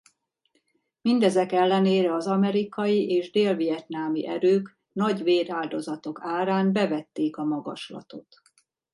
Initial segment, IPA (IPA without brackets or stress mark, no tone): m